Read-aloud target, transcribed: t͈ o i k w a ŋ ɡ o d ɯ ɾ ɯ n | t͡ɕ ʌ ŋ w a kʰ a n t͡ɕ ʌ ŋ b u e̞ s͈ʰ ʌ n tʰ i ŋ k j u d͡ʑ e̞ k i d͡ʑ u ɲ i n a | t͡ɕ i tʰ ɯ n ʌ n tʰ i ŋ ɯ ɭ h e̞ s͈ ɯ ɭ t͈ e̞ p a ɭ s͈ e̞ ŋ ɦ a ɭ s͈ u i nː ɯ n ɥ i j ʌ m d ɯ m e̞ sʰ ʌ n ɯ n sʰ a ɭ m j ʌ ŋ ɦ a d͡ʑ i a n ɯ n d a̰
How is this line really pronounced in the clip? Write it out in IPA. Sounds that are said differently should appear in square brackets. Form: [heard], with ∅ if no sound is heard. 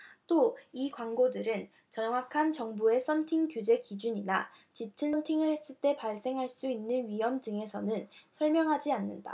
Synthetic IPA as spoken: t͈ o i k w a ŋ ɡ o d ɯ ɾ ɯ n | t͡ɕ ʌ ŋ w a kʰ a n t͡ɕ ʌ ŋ b u e̞ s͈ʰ ʌ n tʰ i ŋ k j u d͡ʑ e̞ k i d͡ʑ u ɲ i n a | t͡ɕ i tʰ ɯ n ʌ n tʰ i ŋ ɯ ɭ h e̞ s͈ ɯ ɭ t͈ e̞ p a ɭ s͈ e̞ ŋ ɦ a ɭ s͈ u i nː ɯ n ɥ i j ʌ m d ɯ [ŋ] e̞ sʰ ʌ n ɯ n sʰ [ʌ] ɭ m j ʌ ŋ ɦ a d͡ʑ i a [nː] ɯ n d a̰